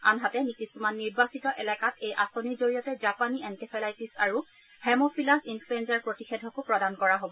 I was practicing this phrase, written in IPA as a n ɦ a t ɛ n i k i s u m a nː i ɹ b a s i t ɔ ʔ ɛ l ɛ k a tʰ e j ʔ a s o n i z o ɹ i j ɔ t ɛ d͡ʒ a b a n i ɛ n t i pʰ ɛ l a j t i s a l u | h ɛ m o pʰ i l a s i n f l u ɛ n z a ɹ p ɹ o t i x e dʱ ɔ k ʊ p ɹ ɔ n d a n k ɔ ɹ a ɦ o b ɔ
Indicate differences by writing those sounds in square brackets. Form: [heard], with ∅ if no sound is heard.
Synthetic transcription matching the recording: a n ɦ a t ɛ n i k i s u m a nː i ɹ b a s i t ɔ ʔ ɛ l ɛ k a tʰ e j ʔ a s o n i z o ɹ i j ɔ t ɛ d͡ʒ a [p] a n i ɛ n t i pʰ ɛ l a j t i s a [ɹ] u | h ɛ m o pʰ i l a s i n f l u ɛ n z a ɹ p ɹ o t i x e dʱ ɔ k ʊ p ɹ ɔ [∅] d a n k ɔ ɹ a ɦ o b ɔ